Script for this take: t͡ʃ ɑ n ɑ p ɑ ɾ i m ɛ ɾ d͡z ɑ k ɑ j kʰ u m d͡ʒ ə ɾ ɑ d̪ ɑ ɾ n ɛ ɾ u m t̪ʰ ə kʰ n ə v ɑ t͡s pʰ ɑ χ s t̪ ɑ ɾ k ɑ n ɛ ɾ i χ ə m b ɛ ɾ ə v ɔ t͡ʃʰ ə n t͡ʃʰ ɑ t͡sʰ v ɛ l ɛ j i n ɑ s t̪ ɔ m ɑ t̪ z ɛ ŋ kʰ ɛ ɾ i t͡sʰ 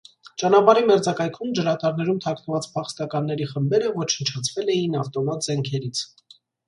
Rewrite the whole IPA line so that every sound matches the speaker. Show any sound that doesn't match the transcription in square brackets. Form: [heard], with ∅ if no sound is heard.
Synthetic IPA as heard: t͡ʃ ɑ n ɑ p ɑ ɾ i m ɛ ɾ d͡z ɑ k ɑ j kʰ u m d͡ʒ ə ɾ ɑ [t̪] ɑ ɾ n ɛ ɾ u m t̪ʰ [ɑ] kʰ n ə v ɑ t͡s pʰ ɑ χ s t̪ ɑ [∅] k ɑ [nː] ɛ ɾ i χ ə m b ɛ ɾ ə v ɔ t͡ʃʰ ə n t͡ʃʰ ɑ t͡sʰ v ɛ l ɛ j i n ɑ [f] t̪ ɔ m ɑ t̪ z ɛ ŋ kʰ ɛ ɾ i t͡sʰ